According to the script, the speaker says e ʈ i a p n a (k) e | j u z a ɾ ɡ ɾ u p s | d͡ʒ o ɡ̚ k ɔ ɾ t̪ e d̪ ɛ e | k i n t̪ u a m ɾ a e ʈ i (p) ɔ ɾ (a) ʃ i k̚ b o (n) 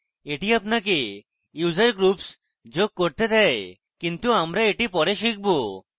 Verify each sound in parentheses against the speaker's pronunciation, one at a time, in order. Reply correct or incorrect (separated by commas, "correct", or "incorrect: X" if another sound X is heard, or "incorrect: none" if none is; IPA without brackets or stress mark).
correct, correct, incorrect: e, incorrect: none